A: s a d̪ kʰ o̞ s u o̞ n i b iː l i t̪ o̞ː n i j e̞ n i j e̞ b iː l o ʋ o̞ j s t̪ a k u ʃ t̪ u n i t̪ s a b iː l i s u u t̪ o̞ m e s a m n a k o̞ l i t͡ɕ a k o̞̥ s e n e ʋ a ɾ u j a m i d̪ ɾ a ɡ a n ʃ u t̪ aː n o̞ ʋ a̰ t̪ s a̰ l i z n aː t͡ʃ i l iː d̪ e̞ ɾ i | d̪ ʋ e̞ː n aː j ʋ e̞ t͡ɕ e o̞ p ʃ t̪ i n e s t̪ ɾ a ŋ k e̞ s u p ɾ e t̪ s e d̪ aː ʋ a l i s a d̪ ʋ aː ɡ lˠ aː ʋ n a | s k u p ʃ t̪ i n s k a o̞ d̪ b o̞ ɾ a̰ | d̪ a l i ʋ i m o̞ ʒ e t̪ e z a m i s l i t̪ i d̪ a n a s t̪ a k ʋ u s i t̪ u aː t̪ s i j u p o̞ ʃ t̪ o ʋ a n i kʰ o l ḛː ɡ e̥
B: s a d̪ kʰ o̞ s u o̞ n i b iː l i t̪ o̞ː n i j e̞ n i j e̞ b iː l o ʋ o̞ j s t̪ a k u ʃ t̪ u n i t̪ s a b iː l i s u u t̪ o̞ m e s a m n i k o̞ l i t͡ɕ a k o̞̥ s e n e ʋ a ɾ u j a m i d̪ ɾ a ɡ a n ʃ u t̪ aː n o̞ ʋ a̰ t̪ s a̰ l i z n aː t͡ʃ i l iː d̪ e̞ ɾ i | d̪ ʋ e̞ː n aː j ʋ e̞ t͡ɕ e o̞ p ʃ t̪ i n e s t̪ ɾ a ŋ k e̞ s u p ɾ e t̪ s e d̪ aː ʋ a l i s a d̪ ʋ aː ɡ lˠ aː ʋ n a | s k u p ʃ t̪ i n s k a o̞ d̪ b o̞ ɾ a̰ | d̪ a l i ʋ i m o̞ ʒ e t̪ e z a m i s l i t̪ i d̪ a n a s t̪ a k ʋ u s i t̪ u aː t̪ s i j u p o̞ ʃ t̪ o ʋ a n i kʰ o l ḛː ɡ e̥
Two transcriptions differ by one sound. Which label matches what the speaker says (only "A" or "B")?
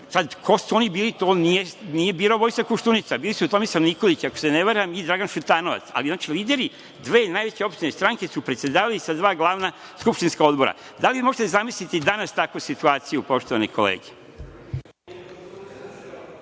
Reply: B